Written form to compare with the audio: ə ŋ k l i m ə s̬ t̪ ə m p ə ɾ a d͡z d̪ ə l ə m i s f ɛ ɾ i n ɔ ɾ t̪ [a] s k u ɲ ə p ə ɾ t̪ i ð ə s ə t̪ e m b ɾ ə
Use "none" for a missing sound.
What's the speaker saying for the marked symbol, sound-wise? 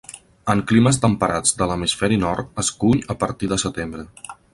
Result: ə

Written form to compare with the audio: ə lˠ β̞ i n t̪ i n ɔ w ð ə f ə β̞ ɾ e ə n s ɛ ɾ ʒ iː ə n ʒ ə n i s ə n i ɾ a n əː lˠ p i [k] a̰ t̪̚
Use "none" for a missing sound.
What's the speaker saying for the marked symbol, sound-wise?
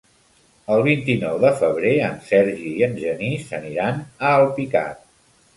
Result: k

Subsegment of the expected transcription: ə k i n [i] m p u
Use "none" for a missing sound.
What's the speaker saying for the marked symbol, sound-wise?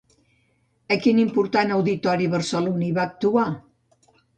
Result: i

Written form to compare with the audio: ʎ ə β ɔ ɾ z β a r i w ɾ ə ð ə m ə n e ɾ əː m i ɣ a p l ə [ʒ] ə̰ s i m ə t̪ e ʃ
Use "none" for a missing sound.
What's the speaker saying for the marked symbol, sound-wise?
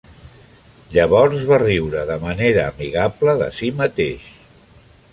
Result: ð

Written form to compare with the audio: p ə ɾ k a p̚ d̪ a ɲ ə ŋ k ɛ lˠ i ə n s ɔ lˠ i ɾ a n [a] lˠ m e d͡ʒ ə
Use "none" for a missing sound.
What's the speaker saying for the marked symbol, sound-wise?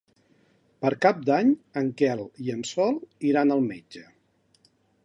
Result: ə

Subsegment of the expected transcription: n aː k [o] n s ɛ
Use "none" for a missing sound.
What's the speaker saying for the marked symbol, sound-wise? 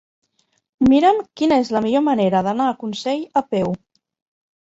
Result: u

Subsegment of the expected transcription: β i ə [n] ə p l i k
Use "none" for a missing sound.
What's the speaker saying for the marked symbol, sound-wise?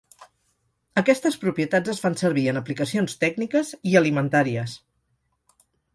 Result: n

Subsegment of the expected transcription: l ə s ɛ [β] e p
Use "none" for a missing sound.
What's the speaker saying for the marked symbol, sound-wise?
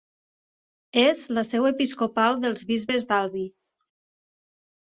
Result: w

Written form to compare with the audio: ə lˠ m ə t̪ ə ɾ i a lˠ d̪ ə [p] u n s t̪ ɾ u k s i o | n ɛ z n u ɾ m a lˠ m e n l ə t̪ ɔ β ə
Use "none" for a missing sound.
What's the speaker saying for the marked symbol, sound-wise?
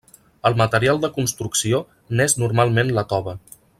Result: k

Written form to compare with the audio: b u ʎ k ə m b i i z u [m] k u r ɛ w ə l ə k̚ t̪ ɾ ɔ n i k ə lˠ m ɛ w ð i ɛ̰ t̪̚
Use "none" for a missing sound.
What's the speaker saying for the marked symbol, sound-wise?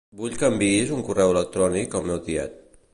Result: ŋ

